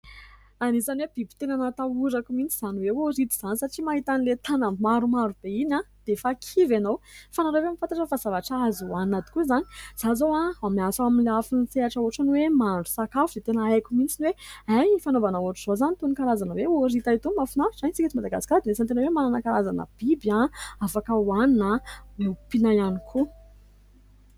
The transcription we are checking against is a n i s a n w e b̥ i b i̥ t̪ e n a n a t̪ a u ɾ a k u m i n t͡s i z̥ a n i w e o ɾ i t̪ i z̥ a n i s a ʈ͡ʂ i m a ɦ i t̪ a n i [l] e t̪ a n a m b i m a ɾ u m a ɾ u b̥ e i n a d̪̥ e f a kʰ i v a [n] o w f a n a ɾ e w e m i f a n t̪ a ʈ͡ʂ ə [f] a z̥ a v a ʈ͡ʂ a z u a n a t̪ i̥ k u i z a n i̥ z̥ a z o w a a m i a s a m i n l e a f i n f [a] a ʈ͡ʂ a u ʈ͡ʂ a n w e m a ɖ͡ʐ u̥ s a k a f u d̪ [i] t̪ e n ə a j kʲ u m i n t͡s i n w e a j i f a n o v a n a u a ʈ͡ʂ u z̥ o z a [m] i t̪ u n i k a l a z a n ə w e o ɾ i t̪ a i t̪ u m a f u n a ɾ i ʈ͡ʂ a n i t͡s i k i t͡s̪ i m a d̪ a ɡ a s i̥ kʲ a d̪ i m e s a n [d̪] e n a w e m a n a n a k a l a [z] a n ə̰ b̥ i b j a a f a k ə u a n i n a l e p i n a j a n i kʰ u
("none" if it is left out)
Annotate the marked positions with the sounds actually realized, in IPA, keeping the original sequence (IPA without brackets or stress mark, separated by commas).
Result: l, n, f, e, e, n, t̪, z